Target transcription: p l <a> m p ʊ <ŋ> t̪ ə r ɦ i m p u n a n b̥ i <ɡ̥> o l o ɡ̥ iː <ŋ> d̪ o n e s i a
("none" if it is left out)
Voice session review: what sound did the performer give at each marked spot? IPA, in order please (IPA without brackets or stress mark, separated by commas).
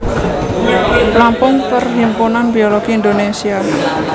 a, ŋ, none, n